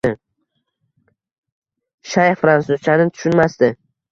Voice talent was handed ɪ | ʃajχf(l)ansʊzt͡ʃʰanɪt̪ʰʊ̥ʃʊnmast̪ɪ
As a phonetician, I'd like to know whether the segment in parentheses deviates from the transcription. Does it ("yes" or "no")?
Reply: yes